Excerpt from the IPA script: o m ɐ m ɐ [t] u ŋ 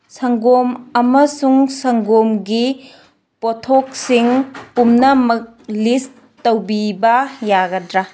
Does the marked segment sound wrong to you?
yes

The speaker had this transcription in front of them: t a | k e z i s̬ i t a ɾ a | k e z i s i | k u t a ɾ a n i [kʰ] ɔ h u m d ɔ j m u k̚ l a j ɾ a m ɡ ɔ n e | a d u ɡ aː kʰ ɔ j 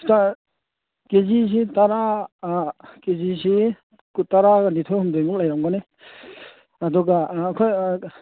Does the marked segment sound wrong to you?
yes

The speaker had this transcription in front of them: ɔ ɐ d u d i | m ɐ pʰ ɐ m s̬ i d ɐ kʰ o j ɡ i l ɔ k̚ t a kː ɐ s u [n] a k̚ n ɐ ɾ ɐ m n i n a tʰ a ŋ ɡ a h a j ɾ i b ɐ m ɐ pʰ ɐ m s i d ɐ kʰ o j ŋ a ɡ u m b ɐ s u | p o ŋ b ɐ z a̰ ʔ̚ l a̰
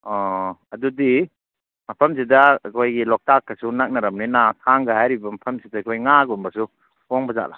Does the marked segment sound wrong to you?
no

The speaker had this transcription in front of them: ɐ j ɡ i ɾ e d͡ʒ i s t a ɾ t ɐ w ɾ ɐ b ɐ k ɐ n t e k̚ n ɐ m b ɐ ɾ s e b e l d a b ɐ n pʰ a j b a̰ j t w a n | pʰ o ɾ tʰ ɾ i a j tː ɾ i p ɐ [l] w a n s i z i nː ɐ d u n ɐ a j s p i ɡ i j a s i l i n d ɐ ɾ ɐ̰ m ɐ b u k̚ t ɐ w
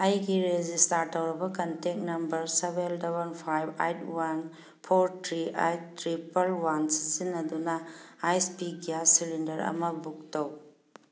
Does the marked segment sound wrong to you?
no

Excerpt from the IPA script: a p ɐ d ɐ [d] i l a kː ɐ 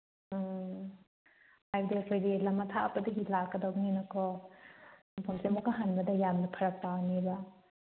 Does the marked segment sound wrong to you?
yes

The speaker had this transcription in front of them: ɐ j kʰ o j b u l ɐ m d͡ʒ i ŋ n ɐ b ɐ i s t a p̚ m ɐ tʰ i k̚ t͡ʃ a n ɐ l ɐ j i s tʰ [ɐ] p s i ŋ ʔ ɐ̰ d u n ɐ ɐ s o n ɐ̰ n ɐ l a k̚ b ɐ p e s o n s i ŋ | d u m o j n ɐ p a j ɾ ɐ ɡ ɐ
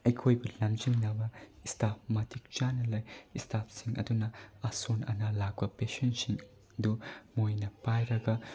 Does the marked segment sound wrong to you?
yes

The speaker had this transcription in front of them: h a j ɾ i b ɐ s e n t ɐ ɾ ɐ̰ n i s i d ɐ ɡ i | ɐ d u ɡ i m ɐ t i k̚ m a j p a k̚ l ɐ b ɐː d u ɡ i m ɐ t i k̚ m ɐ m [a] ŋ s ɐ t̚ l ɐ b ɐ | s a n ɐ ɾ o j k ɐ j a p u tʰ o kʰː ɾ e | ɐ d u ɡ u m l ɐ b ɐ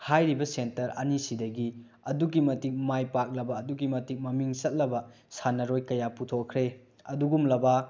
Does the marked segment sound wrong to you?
yes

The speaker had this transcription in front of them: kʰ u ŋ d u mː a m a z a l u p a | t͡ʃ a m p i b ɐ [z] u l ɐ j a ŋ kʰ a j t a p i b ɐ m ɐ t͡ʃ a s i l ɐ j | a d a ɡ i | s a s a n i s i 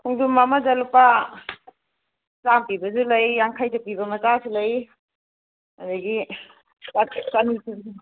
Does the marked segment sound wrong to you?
no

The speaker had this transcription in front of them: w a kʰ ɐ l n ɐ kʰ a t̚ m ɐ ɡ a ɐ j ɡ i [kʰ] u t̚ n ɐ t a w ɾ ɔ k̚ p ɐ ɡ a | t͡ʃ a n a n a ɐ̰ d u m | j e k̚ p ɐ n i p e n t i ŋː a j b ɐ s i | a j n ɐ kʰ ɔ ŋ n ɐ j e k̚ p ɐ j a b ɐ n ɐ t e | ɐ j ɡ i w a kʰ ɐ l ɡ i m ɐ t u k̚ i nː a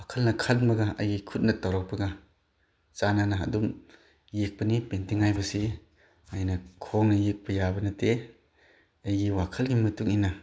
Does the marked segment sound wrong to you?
no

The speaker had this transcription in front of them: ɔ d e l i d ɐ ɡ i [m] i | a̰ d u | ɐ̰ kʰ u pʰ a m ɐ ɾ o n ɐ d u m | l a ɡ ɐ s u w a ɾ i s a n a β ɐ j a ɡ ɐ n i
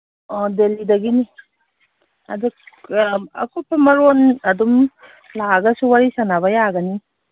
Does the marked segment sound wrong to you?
yes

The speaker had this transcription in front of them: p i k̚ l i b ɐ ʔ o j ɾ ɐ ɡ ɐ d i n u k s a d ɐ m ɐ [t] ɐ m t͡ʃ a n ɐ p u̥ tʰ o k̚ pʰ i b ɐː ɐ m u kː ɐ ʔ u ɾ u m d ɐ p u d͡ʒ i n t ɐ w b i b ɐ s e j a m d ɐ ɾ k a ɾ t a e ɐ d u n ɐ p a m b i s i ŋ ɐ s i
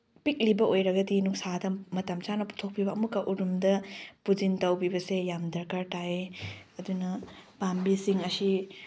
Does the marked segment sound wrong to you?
no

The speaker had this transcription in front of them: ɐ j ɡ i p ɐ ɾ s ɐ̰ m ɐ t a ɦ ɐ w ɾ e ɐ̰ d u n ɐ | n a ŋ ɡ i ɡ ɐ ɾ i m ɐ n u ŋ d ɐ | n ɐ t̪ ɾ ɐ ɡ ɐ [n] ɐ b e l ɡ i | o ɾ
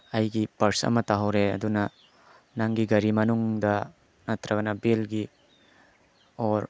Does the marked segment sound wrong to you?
no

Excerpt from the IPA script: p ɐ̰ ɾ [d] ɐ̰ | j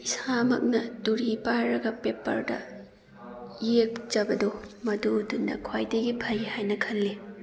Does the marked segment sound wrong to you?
no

